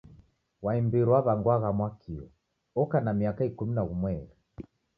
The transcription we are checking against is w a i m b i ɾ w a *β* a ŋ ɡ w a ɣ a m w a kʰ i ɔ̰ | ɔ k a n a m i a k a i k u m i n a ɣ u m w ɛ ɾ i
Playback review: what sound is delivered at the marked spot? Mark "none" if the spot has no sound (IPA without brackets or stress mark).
β